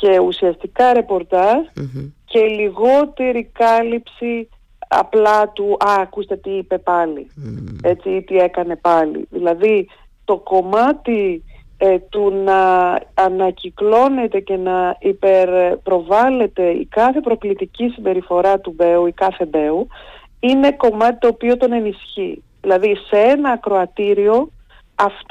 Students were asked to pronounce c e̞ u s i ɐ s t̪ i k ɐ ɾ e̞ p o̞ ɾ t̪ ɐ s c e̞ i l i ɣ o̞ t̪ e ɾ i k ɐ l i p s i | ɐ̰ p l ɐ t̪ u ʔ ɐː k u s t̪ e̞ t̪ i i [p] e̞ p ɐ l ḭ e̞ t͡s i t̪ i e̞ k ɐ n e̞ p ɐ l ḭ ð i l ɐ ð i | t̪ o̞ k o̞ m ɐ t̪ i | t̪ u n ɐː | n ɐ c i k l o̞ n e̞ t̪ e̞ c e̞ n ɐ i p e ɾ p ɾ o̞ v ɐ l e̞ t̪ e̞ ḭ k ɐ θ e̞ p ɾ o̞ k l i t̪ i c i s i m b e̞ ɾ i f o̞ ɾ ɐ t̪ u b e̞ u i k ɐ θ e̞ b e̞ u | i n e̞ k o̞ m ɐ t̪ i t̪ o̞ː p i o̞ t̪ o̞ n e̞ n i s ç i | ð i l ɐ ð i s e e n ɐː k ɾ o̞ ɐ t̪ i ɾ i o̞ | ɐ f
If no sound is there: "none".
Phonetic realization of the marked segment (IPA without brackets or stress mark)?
p